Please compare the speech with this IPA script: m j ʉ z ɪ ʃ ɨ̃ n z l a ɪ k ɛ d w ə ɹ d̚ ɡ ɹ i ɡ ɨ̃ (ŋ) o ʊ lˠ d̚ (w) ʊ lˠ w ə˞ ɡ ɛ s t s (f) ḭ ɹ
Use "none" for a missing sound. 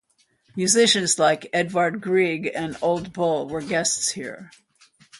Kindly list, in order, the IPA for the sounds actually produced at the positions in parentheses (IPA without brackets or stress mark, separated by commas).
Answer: n, b, h